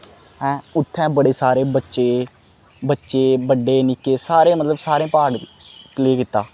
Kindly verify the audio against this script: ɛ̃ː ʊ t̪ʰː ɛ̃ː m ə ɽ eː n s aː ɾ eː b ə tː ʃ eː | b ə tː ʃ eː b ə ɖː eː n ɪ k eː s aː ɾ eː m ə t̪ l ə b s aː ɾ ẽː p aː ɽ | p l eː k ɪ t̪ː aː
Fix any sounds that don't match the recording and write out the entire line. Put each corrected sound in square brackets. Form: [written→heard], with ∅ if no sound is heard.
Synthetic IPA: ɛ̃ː ʊ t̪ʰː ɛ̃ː [m→b] ə ɽ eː [n→∅] s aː ɾ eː b ə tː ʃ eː | b ə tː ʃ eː b ə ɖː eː n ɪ k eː s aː ɾ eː m ə t̪ l ə b s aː ɾ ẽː p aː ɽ | p l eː k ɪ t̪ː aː